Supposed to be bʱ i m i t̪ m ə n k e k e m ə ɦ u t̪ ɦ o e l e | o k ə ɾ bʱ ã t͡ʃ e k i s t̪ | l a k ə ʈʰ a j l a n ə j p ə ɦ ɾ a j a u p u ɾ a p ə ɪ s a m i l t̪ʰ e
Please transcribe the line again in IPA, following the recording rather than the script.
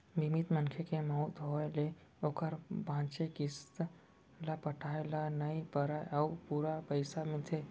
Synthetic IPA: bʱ i m i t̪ m ə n kʰ e k e m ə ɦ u t̪ ɦ o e l e | o k ə ɾ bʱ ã t͡ʃ e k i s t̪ | l a p ə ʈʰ a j l a n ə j p ə ɾ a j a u p u ɾ a p ə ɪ s a m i l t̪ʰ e